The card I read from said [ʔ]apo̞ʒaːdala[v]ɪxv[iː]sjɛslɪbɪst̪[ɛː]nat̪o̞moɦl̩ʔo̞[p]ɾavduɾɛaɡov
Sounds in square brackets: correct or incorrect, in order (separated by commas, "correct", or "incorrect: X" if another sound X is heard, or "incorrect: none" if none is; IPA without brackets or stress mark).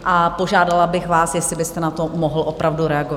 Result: correct, incorrect: b, incorrect: aː, incorrect: ɛ, correct